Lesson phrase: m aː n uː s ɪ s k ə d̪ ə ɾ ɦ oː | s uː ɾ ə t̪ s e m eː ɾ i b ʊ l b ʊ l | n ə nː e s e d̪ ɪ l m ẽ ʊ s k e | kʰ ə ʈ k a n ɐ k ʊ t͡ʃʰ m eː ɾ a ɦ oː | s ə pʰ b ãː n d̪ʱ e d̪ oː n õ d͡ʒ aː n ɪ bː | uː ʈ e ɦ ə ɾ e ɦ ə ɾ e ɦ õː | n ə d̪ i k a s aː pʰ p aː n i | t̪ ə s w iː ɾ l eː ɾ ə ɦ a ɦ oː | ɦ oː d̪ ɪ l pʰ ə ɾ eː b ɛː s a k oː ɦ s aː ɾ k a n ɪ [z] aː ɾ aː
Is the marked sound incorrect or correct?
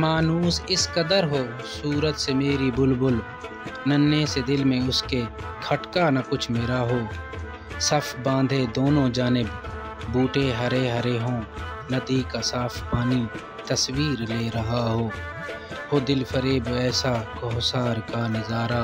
correct